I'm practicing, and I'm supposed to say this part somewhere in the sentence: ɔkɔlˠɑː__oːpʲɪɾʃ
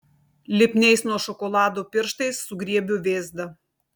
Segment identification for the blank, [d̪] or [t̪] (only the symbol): d̪